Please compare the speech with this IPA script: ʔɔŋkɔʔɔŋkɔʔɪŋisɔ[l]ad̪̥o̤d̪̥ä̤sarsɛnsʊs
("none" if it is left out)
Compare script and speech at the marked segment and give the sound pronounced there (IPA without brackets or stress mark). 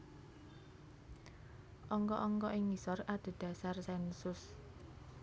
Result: r